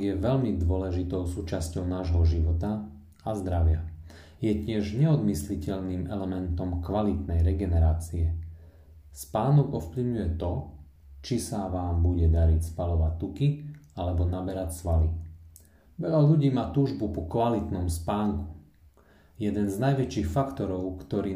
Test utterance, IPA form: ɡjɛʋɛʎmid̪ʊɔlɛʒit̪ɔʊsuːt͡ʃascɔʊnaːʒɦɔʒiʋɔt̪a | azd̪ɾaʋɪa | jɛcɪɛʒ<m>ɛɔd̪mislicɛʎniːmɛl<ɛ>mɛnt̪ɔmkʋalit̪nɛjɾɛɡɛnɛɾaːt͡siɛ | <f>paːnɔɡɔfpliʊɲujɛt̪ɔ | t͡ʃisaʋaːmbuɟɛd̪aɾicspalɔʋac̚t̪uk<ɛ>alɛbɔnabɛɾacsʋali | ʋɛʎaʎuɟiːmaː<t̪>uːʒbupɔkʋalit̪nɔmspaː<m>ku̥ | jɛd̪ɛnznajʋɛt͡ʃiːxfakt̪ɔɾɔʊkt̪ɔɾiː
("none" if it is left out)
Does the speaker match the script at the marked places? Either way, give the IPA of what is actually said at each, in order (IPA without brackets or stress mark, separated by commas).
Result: ɲ, ɛ, s, i, t̪, ŋ